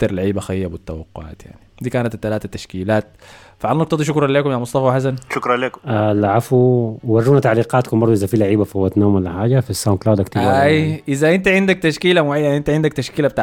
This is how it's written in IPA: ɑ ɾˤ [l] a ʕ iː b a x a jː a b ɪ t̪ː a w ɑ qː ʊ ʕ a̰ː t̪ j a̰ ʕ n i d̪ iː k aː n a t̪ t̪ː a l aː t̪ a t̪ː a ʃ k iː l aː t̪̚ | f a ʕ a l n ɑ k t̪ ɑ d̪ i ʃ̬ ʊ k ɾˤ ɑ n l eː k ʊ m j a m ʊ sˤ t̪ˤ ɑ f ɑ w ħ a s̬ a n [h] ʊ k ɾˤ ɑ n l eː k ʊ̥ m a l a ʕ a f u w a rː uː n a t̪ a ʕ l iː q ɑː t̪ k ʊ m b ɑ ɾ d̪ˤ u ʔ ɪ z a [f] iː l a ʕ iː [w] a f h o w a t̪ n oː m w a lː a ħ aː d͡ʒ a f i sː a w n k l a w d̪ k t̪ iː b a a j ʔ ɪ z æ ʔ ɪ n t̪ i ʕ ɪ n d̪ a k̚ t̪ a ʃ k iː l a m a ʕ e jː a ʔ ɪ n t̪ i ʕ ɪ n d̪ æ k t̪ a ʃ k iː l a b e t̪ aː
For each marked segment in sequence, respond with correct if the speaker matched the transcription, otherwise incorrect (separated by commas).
correct, incorrect, correct, incorrect